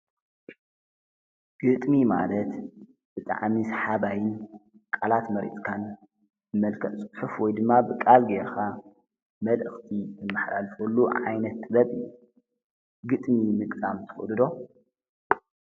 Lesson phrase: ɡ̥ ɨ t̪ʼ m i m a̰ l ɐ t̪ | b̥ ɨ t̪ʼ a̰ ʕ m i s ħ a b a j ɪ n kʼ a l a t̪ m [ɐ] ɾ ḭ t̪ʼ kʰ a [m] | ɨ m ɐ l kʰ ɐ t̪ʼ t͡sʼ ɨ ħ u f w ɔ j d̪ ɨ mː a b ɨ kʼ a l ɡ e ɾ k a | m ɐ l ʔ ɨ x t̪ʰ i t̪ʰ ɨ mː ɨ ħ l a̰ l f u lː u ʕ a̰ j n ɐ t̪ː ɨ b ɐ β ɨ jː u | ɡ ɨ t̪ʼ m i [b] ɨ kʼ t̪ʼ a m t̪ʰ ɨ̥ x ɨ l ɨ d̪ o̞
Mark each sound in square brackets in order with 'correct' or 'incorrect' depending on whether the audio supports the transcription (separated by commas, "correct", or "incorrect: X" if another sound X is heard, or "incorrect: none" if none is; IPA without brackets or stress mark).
correct, incorrect: n, incorrect: m